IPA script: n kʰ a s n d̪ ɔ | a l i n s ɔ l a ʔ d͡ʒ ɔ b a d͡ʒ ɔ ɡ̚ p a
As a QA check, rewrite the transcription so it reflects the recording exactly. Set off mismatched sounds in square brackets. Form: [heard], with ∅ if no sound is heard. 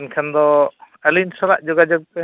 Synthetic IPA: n kʰ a [∅] n d̪ ɔ | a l i n s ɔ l a ʔ d͡ʒ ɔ [ɡ] a d͡ʒ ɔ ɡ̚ p [ɛ]